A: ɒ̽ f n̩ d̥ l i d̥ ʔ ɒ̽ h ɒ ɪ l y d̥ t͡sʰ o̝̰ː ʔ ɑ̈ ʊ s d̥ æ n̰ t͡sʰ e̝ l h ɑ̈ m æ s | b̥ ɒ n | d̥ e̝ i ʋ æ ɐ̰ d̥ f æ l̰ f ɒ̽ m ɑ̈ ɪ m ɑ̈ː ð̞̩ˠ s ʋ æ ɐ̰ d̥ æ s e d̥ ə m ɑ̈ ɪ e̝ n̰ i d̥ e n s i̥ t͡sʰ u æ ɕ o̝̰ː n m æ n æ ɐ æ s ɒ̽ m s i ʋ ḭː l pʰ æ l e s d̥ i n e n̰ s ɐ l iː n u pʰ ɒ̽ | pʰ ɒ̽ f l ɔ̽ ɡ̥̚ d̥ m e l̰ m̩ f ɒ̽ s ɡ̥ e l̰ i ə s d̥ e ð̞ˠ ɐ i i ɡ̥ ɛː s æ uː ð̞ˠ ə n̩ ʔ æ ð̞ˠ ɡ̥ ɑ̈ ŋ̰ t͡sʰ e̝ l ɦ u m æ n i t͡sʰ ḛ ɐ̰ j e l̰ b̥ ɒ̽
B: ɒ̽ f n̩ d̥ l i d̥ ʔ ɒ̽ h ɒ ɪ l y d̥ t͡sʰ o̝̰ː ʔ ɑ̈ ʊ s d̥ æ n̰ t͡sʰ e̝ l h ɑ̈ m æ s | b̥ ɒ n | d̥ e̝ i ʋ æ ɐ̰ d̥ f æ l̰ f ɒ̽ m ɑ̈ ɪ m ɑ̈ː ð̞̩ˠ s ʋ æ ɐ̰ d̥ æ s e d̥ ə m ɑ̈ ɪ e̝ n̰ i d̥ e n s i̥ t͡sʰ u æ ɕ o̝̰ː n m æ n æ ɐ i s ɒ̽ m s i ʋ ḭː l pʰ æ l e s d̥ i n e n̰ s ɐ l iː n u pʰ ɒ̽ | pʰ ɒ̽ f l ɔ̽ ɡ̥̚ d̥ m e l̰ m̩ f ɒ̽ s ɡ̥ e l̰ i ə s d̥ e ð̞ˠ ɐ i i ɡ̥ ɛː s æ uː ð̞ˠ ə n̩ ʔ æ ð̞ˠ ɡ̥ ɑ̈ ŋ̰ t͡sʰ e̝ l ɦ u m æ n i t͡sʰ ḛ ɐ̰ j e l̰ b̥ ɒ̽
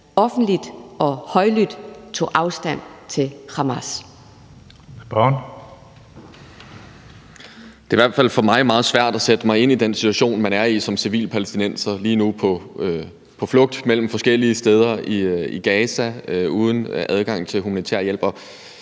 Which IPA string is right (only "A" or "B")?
B